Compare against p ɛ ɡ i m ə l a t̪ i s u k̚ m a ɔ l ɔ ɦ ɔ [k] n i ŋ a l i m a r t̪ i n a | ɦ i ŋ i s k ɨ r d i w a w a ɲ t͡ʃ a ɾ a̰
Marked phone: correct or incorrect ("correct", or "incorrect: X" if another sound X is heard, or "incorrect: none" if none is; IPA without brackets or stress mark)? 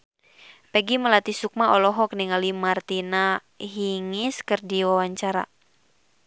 correct